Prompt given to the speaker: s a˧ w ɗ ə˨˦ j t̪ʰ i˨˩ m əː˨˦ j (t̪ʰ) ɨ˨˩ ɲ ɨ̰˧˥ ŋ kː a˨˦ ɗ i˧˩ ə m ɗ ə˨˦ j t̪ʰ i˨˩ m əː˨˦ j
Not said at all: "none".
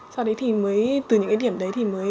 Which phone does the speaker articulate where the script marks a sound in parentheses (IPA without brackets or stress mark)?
t̪